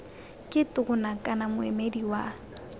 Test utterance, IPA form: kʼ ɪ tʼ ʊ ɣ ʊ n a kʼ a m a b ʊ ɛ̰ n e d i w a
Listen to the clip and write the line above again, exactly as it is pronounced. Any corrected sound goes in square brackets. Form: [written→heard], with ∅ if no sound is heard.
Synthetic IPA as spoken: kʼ ɪ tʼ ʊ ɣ ʊ n a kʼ a [m→n] a [b→m] ʊ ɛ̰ [n→m] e d i w a